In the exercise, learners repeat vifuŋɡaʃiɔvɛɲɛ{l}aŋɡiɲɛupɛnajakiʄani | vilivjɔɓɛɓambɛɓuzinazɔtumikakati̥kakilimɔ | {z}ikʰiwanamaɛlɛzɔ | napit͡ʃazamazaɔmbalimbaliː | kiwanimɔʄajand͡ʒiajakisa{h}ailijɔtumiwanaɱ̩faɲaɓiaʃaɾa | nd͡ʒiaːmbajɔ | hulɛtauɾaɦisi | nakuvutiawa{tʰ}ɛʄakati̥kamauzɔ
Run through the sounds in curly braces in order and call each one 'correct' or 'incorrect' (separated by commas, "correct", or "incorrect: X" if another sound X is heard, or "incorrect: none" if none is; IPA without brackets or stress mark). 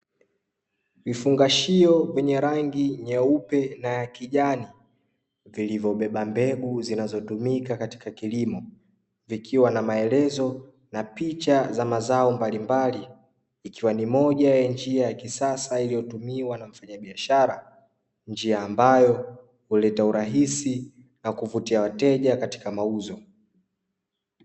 incorrect: ɾ, incorrect: v, incorrect: s, incorrect: t